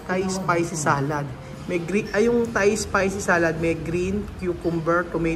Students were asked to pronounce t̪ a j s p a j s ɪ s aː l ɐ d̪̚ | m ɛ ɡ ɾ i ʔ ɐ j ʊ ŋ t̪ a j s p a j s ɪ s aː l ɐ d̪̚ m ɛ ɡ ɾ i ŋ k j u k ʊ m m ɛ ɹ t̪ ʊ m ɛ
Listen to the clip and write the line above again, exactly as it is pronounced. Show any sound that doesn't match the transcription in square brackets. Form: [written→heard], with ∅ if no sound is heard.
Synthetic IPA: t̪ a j s p a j s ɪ s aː l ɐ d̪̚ | m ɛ ɡ ɾ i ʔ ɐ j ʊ ŋ t̪ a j s p a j s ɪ s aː l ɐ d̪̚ m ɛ ɡ ɾ i [ŋ→n] k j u k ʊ m [m→b] ɛ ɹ t̪ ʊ m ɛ